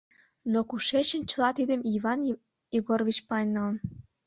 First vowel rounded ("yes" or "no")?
yes